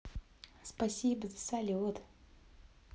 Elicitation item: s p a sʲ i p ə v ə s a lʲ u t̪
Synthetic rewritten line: s p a sʲ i b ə z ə s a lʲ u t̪